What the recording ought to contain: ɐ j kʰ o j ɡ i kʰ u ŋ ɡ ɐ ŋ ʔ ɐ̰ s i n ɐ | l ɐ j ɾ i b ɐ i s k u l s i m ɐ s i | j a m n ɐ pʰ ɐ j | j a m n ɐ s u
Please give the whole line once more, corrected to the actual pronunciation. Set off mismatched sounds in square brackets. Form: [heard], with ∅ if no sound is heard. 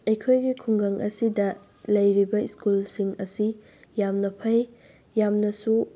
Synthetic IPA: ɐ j kʰ o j ɡ i kʰ u ŋ ɡ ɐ ŋ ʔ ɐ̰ s i [d] ɐ | l ɐ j ɾ i b ɐ i s k u l s i [ŋ] ɐ s i | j a m n ɐ pʰ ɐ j | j a m n ɐ s u